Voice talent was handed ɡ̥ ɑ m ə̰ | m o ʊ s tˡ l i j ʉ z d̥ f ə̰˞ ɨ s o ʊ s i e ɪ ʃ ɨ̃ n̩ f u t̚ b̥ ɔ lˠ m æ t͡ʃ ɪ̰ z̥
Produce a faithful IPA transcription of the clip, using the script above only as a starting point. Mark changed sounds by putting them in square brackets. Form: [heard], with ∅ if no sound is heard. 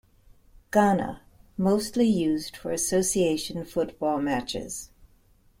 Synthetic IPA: ɡ̥ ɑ [n] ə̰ | m o ʊ s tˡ l i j ʉ z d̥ f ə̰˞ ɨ s o ʊ s i e ɪ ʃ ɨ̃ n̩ f [ʊ] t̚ b̥ ɔ lˠ m æ t͡ʃ ɪ̰ z̥